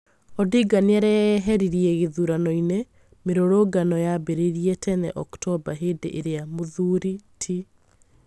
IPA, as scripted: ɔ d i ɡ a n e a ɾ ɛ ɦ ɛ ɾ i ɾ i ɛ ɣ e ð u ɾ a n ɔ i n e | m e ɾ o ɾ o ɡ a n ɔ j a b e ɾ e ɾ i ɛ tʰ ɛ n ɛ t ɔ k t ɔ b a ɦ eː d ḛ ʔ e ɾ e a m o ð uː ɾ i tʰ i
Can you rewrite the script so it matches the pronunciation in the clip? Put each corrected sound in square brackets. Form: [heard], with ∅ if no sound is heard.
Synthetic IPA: ɔ d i ɡ a n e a ɾ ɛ ɦ ɛ ɾ i ɾ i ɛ ɣ e ð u ɾ a n ɔ i n e | m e ɾ o ɾ o ɡ a n ɔ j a b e ɾ e ɾ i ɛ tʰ ɛ n ɛ [ʔ] ɔ k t ɔ b a ɦ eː d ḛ ʔ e ɾ e a m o ð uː ɾ i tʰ i